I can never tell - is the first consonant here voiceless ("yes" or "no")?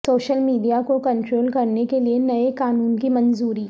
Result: yes